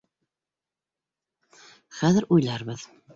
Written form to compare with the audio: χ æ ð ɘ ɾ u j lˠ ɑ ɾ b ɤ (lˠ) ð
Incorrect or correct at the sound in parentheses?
incorrect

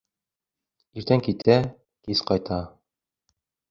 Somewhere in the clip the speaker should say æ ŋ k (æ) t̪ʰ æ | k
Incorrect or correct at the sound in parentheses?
incorrect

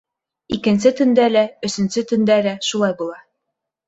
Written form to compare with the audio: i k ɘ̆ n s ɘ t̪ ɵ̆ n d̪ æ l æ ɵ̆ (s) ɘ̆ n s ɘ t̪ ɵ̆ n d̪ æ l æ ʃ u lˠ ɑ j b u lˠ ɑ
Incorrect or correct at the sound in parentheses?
correct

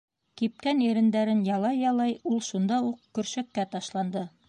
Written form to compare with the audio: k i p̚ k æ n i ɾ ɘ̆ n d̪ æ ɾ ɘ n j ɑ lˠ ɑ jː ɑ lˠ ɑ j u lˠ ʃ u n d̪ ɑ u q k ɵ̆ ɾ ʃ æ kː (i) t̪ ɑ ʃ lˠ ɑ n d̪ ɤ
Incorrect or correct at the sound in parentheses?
incorrect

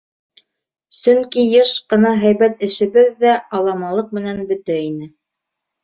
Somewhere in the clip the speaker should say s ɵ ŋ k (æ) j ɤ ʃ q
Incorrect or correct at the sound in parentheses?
incorrect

